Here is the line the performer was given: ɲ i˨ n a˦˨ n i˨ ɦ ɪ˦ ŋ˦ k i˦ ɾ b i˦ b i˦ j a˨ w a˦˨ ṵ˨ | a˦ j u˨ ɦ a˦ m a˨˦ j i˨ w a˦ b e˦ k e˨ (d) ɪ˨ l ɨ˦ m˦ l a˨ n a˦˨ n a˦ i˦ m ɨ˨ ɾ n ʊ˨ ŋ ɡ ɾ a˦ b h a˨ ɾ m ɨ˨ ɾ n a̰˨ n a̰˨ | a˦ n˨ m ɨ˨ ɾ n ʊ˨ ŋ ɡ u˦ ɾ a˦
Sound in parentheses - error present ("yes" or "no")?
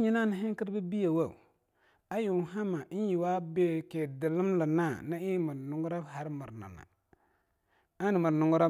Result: no